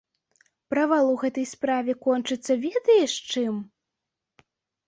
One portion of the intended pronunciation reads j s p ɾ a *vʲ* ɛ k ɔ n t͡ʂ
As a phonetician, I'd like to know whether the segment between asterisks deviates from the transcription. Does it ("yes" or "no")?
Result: no